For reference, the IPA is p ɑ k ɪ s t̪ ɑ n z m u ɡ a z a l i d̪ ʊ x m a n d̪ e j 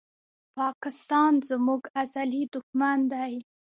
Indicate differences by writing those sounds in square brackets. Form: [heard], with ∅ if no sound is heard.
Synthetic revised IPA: p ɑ k ɪ s t̪ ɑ n z m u ɡ a z a l i d̪ ʊ x m a n d̪ [a] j